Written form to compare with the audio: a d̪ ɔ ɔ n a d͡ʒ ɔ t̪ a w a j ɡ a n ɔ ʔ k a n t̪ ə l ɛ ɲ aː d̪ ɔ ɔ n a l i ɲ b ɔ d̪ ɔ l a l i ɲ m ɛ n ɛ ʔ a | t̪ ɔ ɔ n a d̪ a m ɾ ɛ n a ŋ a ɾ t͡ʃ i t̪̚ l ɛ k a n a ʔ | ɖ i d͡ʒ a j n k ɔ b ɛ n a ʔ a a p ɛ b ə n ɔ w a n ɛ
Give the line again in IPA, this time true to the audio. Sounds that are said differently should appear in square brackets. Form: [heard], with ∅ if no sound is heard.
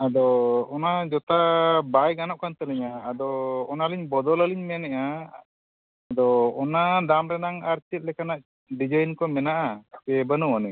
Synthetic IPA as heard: a d̪ ɔ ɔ n a d͡ʒ ɔ t̪ a [b] a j ɡ a n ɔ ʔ k a n t̪ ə l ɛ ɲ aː d̪ ɔ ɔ n a l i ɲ b ɔ d̪ ɔ l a l i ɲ m ɛ n ɛ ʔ a | [d̪] ɔ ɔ n a d̪ a m ɾ ɛ n a ŋ a ɾ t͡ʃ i t̪̚ l ɛ k a n a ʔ | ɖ i d͡ʒ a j n k ɔ [m] ɛ n a ʔ a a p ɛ b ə n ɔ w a n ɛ